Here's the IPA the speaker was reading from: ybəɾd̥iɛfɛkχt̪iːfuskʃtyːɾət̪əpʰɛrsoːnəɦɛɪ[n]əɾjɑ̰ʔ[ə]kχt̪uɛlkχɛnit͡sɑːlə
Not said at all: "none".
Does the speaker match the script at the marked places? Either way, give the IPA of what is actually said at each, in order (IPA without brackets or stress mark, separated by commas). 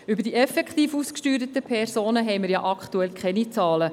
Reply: m, ɑ